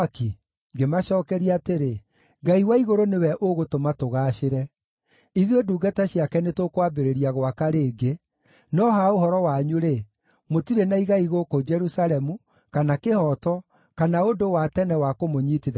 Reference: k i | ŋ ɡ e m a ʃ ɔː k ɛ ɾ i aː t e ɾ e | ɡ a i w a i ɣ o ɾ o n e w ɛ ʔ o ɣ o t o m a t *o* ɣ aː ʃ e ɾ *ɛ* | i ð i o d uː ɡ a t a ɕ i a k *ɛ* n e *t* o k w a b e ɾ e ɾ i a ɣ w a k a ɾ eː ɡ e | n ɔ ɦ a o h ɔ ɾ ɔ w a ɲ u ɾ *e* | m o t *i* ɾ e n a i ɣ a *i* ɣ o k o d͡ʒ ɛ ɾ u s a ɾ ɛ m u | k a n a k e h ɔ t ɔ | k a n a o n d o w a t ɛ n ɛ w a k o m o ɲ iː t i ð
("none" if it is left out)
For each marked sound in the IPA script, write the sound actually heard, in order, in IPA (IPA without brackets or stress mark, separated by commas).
o, ɛ, ɛ, t, e, i, i